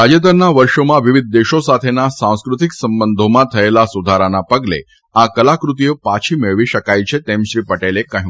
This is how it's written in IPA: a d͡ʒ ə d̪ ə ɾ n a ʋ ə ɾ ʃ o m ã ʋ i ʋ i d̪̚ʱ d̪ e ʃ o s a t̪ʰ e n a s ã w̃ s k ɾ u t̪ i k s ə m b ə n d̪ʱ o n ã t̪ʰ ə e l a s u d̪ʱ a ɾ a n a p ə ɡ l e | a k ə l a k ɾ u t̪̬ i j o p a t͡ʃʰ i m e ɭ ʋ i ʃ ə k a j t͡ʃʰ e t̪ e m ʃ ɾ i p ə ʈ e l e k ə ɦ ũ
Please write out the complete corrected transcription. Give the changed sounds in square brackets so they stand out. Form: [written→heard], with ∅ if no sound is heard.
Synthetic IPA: a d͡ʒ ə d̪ ə ɾ n a ʋ ə ɾ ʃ o m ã ʋ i ʋ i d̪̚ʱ d̪ e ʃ o s a t̪ʰ e n a s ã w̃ s k ɾ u t̪ i k s ə m b ə n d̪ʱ o [n→m] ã t̪ʰ ə e l a s u d̪ʱ a ɾ a n a p ə ɡ l e | a k ə l a k ɾ u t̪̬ i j o p a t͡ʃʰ i m e ɭ ʋ i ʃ ə k a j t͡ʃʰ e t̪ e m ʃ ɾ i p ə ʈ e l e k ə ɦ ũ